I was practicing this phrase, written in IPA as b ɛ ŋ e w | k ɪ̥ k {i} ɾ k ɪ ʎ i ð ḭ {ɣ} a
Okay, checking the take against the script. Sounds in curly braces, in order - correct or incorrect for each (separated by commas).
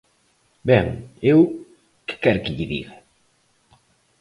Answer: incorrect, correct